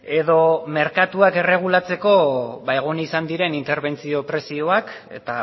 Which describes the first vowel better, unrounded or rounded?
unrounded